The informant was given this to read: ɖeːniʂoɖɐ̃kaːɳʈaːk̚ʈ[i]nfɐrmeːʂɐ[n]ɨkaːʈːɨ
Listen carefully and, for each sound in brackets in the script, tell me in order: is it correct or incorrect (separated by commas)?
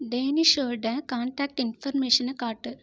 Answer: correct, correct